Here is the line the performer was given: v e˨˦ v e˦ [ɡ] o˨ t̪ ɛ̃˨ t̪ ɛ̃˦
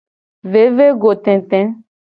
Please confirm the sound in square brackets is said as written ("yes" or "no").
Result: yes